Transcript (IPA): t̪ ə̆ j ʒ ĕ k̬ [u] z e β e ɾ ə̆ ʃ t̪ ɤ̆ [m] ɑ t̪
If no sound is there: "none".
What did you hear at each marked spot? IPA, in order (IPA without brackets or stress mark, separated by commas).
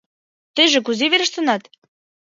u, n